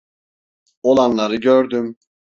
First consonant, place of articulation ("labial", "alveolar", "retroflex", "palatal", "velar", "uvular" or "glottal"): alveolar